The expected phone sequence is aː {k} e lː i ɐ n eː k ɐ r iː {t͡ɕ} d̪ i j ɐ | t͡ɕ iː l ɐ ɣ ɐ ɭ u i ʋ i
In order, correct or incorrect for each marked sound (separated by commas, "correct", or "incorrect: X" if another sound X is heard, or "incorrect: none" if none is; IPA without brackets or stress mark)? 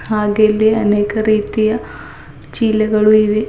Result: incorrect: ɡ, incorrect: none